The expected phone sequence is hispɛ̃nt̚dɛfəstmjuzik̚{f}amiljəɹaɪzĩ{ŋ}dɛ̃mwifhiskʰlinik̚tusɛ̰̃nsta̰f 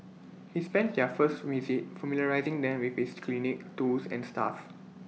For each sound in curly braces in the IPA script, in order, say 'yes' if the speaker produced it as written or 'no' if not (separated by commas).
yes, yes